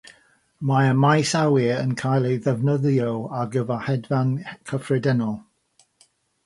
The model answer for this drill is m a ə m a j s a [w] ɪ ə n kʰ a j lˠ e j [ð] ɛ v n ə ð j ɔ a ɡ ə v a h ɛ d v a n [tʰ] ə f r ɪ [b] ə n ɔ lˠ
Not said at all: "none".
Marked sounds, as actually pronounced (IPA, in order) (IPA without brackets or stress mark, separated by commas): w, ð, kʰ, d